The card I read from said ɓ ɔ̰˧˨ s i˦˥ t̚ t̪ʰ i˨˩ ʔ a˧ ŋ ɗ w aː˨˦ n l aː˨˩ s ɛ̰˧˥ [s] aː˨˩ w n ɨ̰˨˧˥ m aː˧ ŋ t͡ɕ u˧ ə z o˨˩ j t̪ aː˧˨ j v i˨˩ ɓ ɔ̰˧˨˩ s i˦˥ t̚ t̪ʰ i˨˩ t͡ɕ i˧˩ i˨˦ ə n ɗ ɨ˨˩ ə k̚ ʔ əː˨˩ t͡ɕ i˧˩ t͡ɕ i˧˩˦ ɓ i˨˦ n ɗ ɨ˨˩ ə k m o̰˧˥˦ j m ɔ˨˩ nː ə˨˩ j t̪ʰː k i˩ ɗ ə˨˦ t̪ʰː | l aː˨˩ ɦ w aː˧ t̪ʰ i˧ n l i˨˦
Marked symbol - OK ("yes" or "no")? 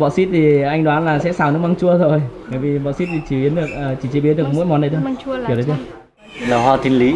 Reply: yes